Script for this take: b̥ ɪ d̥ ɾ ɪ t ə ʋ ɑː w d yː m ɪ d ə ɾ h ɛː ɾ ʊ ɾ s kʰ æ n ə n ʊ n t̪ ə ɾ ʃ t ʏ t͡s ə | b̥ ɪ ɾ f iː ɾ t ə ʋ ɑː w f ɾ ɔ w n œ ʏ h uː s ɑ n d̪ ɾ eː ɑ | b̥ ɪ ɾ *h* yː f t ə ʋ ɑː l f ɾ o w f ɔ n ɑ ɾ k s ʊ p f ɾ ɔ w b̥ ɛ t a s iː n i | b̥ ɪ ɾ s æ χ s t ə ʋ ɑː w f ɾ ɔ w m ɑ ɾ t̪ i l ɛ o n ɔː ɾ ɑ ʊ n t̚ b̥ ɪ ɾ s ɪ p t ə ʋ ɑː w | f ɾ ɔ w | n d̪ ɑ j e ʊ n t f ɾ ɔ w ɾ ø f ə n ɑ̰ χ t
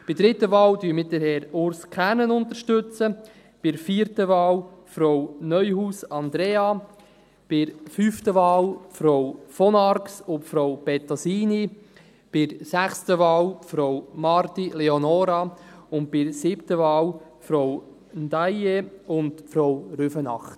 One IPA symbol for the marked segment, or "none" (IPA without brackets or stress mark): f